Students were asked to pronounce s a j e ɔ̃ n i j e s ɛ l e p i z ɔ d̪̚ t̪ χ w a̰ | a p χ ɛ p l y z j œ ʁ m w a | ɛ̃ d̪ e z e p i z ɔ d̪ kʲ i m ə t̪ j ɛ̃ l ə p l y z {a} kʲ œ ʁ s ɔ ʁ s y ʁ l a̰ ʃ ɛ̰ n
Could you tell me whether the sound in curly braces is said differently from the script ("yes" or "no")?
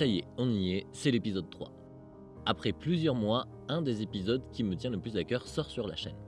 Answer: no